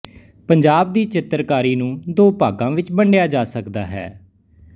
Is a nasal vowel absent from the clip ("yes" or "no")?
no